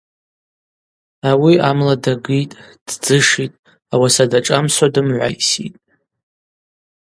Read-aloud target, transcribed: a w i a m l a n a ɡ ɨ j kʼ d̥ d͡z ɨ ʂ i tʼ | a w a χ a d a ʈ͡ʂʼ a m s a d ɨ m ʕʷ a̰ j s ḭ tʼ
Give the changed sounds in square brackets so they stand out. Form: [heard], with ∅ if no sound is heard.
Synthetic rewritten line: a w i a m l a [d] a ɡ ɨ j [tʼ] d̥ d͡z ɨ ʂ i tʼ | a w a [s] a d a ʈ͡ʂʼ a m s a d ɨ m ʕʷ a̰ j s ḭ tʼ